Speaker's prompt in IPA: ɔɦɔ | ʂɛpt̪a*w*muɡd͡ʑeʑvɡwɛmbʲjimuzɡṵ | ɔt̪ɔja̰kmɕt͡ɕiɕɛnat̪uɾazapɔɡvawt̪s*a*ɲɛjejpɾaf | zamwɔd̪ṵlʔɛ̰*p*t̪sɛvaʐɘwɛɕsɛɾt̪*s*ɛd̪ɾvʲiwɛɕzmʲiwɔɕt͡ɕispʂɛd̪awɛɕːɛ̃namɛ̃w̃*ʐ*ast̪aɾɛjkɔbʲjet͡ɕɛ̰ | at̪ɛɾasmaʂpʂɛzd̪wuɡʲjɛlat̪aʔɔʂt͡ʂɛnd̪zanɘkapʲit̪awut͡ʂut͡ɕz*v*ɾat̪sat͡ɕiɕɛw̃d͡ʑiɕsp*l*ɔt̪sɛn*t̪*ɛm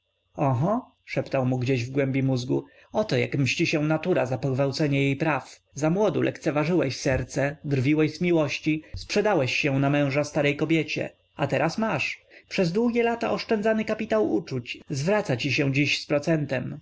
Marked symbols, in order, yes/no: yes, no, no, yes, yes, yes, no, yes

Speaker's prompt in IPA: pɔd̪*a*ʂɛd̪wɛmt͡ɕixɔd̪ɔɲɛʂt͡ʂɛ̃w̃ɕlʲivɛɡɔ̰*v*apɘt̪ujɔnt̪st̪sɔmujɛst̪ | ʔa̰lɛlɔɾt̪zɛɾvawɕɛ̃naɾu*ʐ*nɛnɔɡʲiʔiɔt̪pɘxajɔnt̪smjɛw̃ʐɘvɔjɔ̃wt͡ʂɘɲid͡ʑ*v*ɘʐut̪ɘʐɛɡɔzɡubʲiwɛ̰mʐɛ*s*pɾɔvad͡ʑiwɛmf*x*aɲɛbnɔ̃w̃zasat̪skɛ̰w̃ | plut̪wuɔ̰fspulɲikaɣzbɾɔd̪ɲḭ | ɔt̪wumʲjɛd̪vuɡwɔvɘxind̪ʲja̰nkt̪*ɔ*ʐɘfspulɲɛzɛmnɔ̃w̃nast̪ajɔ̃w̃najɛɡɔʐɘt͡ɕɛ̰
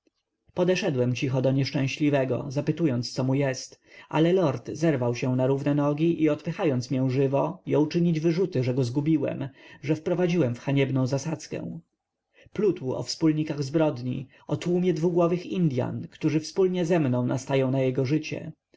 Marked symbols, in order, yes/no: no, no, no, yes, no, yes, no

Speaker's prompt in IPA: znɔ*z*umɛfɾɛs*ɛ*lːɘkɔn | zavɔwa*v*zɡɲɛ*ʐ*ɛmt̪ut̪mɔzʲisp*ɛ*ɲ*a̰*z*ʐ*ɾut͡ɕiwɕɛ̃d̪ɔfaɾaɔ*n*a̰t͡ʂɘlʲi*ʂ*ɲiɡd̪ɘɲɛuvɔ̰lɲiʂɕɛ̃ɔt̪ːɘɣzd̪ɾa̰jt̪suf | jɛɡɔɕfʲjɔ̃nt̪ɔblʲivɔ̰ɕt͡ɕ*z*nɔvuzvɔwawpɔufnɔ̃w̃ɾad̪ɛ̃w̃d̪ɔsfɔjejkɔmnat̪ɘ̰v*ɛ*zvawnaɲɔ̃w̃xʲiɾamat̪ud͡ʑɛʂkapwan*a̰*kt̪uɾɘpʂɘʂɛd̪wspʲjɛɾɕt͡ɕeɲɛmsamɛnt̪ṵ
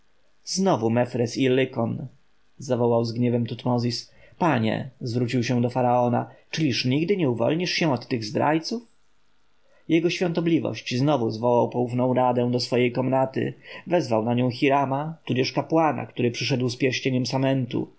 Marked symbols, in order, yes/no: no, no, no, no, no, no, no, yes, yes, yes, yes, yes

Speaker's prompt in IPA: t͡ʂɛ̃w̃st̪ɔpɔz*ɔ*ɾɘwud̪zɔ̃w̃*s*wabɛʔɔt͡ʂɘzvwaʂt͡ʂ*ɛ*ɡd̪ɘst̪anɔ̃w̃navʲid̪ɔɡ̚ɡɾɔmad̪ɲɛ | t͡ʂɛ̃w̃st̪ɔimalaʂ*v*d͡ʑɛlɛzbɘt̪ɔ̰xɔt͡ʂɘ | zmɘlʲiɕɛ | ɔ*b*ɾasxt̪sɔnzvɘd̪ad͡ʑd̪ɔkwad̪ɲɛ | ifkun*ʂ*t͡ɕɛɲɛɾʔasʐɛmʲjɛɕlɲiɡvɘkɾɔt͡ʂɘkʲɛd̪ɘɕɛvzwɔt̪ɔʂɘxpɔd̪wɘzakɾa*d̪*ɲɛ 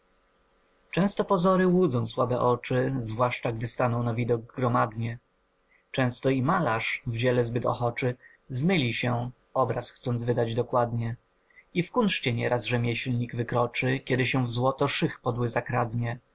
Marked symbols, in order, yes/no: yes, yes, no, yes, yes, yes, yes

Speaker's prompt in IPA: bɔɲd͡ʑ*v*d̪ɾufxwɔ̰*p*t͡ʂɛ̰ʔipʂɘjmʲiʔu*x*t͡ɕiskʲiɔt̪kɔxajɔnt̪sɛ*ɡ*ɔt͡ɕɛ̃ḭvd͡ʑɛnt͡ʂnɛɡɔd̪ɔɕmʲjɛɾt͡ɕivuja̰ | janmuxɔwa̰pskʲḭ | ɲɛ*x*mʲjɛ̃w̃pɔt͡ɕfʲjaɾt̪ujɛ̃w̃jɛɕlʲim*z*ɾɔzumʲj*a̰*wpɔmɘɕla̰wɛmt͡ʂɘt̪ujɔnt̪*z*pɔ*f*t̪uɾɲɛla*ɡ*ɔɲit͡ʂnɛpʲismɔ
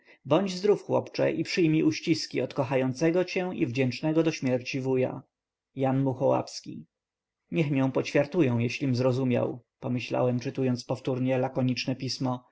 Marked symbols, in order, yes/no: no, yes, no, yes, yes, yes, yes, no, yes, no

